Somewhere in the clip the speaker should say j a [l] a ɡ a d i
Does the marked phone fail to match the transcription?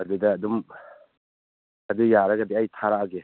yes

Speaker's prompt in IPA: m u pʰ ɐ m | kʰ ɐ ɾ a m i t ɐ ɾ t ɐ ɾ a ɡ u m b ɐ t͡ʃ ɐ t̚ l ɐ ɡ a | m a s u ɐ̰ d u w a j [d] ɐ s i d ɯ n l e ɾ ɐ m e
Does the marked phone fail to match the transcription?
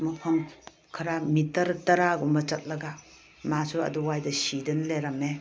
no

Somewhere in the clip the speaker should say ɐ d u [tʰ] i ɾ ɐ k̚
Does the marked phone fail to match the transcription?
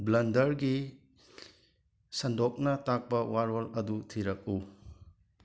no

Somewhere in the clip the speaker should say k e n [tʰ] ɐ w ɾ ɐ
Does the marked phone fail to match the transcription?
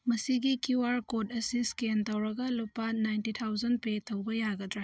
yes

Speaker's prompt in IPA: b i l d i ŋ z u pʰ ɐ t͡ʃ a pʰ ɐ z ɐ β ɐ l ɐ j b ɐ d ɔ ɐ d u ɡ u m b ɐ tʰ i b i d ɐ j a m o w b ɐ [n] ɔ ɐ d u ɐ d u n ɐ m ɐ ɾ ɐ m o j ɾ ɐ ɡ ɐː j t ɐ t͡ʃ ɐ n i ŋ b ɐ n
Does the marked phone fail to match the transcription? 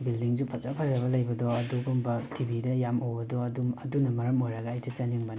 yes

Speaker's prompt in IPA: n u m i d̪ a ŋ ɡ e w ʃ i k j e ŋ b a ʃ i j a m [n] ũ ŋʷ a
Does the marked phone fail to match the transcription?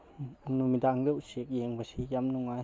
no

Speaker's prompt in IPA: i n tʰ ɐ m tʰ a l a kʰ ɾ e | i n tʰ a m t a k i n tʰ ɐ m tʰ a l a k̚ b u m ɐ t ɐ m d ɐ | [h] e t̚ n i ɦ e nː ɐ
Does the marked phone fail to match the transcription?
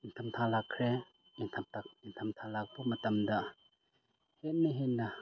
no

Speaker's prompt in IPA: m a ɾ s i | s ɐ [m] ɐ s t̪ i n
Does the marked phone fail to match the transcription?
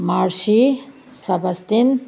yes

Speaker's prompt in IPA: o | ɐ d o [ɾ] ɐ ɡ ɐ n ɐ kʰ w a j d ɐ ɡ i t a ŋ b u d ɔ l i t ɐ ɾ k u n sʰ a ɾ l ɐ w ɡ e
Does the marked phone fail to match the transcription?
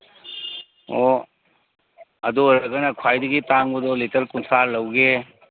no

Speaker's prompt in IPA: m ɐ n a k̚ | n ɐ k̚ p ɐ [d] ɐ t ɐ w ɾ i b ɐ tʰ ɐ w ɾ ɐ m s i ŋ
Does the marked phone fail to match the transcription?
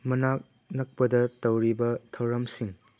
no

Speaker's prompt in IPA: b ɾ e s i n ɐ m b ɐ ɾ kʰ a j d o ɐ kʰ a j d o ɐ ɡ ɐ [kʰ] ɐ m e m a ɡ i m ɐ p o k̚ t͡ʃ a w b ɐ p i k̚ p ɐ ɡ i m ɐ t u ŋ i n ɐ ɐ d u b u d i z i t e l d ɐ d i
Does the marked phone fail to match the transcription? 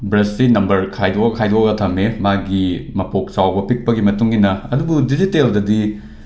yes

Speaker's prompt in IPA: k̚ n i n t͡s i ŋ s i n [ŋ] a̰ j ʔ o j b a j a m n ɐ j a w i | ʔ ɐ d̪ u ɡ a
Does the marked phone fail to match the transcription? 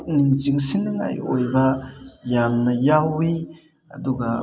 no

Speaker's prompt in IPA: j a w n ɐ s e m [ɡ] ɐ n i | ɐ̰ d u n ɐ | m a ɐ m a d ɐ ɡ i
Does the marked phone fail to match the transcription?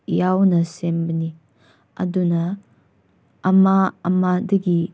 yes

